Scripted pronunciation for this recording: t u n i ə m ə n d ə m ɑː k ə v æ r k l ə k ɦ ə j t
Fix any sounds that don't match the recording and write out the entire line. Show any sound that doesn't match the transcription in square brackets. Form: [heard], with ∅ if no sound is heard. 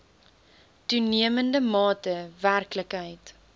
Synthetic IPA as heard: t u n i ə m ə n d ə m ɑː [t] ə v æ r k l ə k ɦ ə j t